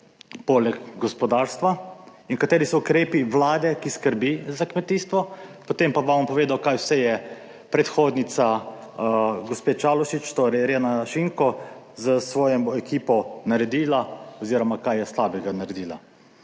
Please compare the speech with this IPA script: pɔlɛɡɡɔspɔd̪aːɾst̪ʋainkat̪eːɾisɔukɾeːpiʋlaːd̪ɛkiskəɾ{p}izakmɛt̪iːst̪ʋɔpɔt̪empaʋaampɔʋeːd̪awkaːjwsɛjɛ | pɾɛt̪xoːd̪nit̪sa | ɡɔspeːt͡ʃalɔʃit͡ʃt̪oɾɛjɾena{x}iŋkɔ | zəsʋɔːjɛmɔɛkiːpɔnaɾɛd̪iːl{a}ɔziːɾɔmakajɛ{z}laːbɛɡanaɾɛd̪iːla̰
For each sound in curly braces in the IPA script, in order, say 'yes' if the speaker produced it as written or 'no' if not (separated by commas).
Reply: no, no, yes, no